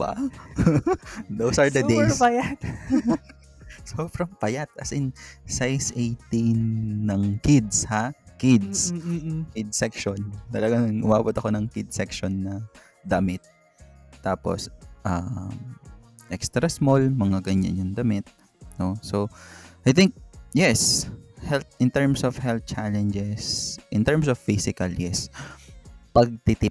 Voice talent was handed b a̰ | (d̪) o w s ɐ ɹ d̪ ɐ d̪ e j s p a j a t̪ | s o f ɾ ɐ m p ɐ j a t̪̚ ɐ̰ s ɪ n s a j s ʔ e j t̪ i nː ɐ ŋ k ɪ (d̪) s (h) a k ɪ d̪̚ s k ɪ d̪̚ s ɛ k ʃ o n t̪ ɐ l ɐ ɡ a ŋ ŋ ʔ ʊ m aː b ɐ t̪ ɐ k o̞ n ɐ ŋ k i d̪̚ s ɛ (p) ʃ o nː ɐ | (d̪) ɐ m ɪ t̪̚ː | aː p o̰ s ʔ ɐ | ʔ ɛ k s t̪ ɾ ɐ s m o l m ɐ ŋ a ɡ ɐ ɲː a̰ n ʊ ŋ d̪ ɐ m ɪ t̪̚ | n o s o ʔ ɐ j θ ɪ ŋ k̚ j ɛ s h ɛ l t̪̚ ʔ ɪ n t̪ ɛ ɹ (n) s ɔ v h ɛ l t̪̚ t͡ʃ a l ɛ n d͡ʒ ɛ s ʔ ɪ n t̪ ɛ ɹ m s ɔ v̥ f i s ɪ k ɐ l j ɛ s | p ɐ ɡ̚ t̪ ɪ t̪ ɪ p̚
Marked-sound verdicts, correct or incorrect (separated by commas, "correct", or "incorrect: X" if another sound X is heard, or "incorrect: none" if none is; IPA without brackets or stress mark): correct, correct, correct, incorrect: k, correct, incorrect: m